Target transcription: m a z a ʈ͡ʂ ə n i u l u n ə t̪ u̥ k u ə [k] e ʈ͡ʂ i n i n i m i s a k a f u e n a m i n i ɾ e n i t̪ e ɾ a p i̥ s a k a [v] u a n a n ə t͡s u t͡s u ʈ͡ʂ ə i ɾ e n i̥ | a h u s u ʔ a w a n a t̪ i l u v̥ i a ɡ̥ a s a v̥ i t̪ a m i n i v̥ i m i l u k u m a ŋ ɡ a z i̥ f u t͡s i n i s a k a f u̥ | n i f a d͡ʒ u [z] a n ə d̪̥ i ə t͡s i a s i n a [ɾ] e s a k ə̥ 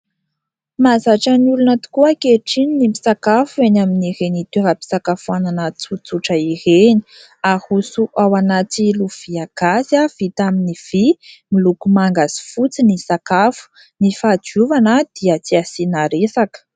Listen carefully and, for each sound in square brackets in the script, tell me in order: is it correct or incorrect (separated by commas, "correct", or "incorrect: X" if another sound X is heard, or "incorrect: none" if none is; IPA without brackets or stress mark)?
correct, incorrect: f, incorrect: v, correct